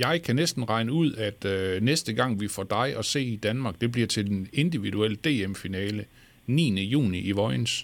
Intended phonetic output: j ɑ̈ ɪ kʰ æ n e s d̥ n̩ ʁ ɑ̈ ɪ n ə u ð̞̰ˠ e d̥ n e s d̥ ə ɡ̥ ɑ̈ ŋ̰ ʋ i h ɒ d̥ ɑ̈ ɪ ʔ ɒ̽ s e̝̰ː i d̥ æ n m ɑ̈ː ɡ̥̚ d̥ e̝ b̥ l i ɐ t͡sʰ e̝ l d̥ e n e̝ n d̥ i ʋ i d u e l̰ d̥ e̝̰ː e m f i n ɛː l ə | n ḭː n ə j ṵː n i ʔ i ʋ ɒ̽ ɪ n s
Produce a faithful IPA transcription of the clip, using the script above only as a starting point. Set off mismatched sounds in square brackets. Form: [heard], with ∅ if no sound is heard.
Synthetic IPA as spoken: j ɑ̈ ɪ kʰ æ n e s d̥ n̩ ʁ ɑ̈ ɪ n ə u ð̞̰ˠ [æ] d̥ n e s d̥ ə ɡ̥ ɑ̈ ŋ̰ ʋ i [f] ɒ d̥ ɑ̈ ɪ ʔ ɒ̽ s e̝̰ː i d̥ æ n m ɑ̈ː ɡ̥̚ d̥ e̝ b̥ l i ɐ t͡sʰ e̝ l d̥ e n e̝ n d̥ i ʋ i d u e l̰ d̥ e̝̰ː e m f i n ɛː l ə | n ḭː n ə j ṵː n i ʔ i ʋ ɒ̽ ɪ n s